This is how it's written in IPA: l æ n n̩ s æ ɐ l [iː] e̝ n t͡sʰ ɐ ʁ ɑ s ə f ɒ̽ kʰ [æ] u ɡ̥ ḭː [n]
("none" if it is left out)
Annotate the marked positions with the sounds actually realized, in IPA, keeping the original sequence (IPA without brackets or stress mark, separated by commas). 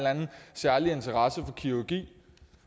i, i, none